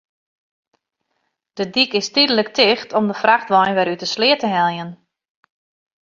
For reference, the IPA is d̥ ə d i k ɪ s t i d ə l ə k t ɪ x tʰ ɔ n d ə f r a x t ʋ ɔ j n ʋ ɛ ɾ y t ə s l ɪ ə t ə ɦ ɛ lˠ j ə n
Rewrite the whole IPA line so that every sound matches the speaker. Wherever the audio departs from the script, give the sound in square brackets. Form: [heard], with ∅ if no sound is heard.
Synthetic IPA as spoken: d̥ ə d i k ɪ s t i d ə l ə k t ɪ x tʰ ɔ [m] d ə f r a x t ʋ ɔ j n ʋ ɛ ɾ y t ə s l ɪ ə t ə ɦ ɛ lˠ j ə n